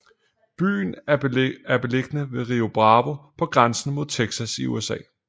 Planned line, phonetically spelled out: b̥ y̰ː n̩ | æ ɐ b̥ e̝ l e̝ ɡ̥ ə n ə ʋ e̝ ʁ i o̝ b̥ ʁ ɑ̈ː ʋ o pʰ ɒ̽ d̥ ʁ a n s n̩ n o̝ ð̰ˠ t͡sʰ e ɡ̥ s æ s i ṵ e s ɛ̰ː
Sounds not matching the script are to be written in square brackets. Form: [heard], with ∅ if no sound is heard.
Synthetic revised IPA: b̥ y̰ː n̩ | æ ɐ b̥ e̝ l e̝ ɡ̥ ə n ə ʋ e̝ ʁ i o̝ b̥ ʁ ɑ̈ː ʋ o pʰ ɒ̽ [ɡ̥] ʁ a n s n̩ [m] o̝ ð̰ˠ t͡sʰ e ɡ̥ s æ s i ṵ e s ɛ̰ː